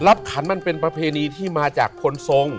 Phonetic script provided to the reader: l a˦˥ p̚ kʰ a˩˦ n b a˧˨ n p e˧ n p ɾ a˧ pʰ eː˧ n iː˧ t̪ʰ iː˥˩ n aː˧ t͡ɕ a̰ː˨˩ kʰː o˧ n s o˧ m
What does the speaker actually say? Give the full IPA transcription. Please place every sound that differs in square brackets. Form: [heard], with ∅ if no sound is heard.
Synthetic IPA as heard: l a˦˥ p̚ kʰ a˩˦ n [m] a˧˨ n p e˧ n p ɾ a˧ pʰ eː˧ n iː˧ t̪ʰ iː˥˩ [m] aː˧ t͡ɕ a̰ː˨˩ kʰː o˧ n s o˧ [ŋ]